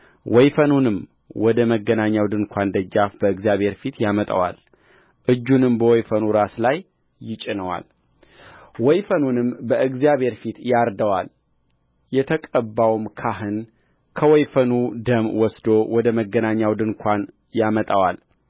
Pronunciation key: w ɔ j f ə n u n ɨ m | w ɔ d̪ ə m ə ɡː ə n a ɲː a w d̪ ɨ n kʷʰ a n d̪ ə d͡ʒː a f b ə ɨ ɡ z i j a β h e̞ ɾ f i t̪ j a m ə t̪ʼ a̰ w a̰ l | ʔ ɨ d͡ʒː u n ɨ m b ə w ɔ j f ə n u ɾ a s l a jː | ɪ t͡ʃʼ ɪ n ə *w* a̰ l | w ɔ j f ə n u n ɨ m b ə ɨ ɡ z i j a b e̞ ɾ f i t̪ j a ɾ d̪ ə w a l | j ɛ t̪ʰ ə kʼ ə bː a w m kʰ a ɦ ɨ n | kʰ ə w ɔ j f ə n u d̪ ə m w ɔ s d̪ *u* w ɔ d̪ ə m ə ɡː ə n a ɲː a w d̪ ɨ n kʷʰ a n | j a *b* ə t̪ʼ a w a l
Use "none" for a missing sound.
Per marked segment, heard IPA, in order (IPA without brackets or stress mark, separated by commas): w, o, m